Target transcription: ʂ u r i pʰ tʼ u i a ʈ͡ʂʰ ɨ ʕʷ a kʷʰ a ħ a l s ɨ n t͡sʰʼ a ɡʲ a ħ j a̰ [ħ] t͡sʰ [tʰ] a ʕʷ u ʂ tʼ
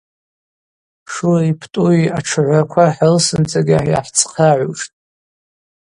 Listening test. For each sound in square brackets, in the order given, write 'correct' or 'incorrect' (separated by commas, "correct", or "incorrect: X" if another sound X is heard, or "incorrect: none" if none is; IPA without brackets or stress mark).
correct, incorrect: qʰ